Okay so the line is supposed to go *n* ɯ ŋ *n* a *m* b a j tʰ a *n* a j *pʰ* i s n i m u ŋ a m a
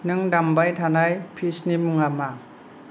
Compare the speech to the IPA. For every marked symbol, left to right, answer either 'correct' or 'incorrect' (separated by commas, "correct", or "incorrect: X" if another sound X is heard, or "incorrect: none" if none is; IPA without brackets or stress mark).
correct, incorrect: d, correct, correct, correct